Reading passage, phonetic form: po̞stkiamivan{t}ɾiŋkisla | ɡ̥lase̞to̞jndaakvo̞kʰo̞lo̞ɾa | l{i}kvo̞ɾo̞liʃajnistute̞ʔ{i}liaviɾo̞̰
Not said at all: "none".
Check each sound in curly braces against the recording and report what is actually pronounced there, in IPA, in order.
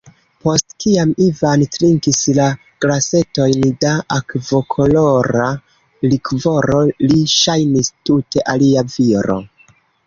t, i, a

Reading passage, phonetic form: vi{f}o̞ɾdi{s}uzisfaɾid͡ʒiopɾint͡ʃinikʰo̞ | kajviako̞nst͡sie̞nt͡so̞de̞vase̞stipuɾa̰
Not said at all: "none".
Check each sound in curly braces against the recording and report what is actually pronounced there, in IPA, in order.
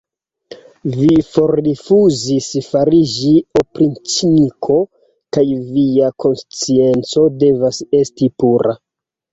f, f

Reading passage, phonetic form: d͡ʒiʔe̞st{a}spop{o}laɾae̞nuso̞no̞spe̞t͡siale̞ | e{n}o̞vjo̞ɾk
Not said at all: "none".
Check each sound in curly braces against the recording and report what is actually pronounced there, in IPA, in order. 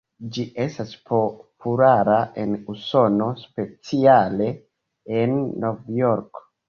a, u, nː

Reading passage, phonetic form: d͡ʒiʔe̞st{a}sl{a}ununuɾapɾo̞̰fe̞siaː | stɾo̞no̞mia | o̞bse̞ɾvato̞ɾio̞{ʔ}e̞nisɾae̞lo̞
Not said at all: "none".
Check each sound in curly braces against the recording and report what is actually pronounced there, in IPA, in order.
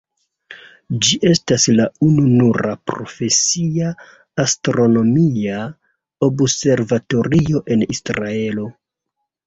a, a, ʔ

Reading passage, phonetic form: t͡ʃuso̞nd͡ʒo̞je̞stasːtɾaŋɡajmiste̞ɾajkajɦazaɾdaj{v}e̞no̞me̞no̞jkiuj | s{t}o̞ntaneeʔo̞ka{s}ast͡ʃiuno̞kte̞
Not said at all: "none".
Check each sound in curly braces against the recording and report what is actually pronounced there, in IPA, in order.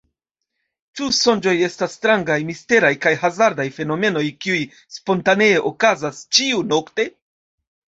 f, p, z

